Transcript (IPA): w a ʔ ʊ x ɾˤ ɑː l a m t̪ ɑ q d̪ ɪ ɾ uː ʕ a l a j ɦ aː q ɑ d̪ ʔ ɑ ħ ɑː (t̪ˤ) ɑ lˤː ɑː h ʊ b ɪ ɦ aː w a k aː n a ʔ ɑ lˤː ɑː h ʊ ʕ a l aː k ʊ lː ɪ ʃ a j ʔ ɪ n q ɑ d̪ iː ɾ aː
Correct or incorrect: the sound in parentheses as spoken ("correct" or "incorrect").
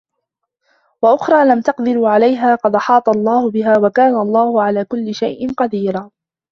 correct